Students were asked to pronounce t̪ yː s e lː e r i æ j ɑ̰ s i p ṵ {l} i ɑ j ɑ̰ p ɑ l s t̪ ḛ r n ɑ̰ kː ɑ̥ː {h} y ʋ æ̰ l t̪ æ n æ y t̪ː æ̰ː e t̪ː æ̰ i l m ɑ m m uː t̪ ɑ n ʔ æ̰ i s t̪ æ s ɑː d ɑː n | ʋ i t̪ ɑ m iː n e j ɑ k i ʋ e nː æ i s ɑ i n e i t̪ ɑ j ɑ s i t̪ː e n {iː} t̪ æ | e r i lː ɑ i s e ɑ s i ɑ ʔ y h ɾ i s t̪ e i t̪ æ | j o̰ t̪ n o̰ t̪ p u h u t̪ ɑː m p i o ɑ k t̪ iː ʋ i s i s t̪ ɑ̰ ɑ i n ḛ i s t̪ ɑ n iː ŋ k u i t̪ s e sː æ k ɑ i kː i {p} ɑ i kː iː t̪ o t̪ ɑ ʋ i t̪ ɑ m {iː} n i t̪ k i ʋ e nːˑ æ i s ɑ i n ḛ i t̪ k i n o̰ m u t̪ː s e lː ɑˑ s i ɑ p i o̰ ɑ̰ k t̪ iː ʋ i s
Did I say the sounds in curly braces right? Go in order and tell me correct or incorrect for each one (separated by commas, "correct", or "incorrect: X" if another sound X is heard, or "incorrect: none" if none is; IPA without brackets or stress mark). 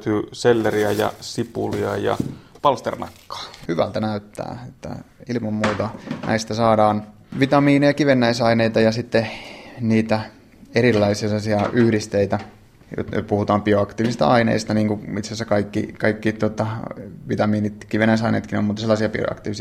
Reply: correct, correct, correct, incorrect: k, correct